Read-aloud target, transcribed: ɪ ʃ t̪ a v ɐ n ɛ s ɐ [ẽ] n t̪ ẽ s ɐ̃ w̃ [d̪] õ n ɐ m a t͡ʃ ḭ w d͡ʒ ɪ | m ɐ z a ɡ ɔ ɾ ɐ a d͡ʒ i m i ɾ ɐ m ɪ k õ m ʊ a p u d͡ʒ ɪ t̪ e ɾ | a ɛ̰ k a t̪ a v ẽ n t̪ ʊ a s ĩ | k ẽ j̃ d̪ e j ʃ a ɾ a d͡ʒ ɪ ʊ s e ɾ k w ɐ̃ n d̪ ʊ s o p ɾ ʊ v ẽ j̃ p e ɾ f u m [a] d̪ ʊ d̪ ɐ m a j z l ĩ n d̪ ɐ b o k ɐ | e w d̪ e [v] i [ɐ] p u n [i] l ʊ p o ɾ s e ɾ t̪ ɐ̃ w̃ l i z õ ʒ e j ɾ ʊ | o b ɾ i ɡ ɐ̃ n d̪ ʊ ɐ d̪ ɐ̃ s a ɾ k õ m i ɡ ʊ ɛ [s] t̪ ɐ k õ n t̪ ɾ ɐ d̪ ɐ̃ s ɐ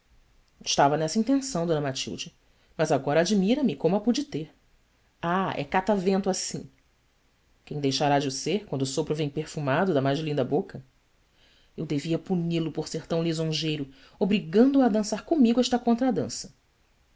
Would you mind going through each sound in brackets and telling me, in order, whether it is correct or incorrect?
incorrect, correct, correct, correct, correct, correct, incorrect

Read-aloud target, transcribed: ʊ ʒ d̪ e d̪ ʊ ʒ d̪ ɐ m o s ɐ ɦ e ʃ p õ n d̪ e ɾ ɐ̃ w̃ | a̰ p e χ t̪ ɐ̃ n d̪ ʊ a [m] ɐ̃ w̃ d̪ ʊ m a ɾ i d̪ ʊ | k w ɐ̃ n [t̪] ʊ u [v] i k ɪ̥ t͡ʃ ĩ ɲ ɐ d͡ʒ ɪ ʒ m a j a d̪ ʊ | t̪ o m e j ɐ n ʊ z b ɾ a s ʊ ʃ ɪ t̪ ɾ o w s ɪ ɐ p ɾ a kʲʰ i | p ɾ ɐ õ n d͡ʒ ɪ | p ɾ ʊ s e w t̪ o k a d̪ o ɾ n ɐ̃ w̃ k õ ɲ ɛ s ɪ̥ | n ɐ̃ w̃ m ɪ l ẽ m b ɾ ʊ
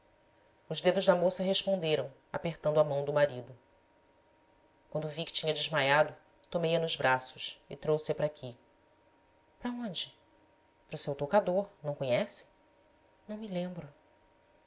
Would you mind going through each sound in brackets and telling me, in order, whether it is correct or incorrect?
correct, incorrect, correct

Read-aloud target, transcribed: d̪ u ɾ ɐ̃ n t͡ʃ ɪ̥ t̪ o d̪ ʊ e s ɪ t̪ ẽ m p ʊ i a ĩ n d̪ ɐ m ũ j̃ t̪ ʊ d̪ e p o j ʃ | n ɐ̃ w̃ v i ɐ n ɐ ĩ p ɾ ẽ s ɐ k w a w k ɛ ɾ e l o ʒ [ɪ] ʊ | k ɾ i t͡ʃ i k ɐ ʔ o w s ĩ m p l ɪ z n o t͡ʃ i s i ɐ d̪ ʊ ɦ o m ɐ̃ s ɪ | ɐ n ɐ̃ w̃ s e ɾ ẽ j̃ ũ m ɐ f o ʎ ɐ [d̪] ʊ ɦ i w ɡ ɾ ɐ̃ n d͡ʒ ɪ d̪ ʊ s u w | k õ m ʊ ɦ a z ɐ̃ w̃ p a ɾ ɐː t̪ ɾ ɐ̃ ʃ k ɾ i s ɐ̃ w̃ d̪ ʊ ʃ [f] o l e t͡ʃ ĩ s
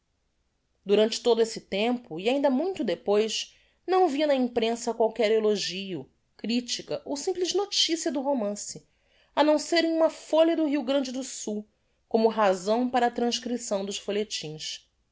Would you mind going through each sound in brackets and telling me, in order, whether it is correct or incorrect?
incorrect, correct, correct

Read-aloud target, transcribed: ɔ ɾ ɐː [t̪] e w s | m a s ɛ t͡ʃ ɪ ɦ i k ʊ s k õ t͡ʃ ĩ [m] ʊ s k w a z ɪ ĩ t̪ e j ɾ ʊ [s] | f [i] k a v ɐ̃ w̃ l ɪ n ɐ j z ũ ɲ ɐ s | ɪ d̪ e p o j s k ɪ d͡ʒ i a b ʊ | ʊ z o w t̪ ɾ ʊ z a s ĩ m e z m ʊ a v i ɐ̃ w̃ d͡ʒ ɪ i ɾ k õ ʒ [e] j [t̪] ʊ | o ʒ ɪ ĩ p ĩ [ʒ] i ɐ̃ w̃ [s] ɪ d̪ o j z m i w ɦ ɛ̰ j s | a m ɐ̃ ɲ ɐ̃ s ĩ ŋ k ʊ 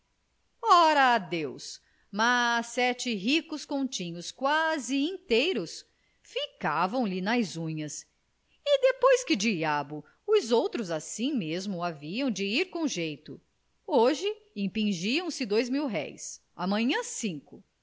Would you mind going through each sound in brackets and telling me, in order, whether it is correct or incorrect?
incorrect, incorrect, correct, correct, correct, correct, correct, correct

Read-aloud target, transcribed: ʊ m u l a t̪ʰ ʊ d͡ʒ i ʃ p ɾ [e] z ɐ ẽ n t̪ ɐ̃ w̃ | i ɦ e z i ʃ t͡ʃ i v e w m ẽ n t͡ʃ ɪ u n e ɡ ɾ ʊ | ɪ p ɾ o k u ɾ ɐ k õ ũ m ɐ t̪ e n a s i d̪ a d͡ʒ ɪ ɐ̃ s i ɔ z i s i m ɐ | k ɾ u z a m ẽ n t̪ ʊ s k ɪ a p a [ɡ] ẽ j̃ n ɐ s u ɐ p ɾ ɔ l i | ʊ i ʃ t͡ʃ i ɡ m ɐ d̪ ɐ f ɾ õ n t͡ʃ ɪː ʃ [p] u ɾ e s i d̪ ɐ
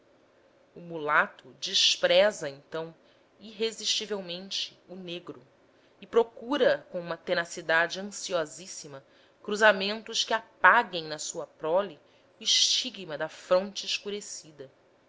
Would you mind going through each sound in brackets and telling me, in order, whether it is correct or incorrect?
incorrect, correct, incorrect

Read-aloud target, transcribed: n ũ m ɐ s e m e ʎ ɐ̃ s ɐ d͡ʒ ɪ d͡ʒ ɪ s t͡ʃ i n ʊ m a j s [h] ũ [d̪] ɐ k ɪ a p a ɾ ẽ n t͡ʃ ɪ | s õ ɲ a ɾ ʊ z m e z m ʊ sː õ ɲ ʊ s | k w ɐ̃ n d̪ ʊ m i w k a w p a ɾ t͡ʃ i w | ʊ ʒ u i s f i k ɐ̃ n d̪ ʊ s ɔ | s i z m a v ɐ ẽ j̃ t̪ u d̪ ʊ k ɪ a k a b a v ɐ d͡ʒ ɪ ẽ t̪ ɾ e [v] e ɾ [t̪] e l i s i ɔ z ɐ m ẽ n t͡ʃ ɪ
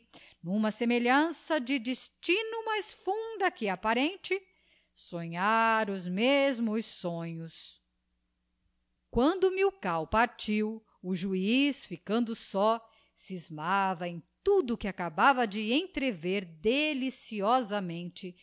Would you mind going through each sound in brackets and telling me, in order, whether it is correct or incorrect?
incorrect, correct, correct, incorrect

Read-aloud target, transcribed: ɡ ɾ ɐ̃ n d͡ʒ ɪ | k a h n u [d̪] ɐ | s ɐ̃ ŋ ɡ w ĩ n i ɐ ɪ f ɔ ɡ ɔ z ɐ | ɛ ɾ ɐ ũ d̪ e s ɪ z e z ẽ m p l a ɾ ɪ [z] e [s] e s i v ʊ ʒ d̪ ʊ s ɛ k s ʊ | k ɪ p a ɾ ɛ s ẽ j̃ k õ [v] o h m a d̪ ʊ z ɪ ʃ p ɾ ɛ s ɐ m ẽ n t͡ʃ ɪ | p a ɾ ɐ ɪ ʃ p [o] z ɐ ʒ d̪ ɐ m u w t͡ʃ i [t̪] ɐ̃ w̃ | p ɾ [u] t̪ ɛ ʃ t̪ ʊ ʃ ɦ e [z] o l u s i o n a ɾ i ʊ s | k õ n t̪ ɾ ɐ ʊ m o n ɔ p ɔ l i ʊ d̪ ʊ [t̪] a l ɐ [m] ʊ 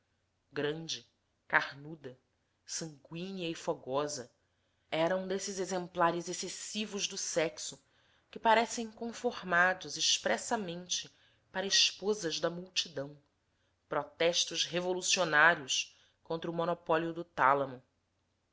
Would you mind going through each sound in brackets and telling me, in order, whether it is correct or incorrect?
correct, correct, correct, incorrect, correct, incorrect, incorrect, incorrect, correct, correct

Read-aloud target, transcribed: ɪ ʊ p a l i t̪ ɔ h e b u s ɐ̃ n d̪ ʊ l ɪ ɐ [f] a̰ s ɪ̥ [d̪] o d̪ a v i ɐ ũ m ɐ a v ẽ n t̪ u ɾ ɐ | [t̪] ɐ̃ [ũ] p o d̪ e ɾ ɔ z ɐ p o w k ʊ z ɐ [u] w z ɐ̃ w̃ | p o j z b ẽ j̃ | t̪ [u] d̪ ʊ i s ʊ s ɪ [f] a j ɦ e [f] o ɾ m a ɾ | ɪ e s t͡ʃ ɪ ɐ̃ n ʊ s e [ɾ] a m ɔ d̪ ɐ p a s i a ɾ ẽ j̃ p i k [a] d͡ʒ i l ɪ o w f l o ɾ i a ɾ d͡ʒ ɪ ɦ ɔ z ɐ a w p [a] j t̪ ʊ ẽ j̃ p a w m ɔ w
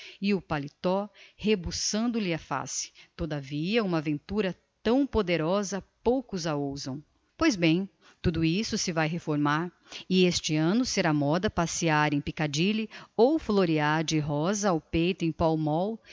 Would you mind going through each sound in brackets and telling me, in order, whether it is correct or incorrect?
correct, incorrect, correct, incorrect, incorrect, correct, incorrect, correct, correct, correct, incorrect

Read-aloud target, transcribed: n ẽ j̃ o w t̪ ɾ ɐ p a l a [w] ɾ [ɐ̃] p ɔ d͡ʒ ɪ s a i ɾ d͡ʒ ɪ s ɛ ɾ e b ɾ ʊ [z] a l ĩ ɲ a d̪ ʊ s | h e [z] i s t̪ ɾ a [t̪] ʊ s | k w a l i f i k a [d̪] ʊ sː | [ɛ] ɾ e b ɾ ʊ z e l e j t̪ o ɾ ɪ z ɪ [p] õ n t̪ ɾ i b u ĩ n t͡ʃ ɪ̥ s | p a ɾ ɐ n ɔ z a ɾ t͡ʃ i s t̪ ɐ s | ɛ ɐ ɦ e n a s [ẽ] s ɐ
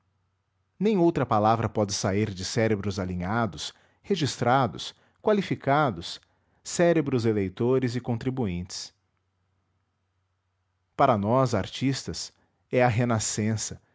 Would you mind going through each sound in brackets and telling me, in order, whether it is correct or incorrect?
incorrect, incorrect, correct, incorrect, incorrect, correct, correct, incorrect, correct

